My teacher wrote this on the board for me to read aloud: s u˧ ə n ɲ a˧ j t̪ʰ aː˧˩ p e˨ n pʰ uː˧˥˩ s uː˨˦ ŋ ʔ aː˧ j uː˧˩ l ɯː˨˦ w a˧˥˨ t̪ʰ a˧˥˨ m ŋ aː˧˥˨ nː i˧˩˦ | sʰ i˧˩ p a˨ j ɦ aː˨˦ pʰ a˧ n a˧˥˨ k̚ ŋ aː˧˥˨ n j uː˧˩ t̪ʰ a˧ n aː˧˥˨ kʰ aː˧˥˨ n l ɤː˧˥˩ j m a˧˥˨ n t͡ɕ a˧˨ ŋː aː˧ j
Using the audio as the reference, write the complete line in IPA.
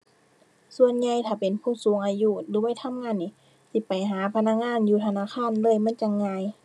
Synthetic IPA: s u˧ ə n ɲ a˧ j t̪ʰ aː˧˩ p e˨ n pʰ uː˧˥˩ s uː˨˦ ŋ ʔ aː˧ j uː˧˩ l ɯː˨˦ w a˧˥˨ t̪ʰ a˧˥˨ m ŋ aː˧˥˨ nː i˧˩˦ | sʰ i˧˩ p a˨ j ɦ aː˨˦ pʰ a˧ n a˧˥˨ k̚ ŋ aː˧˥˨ n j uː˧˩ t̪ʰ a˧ n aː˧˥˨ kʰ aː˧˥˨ n l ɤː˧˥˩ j m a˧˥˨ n t͡ɕ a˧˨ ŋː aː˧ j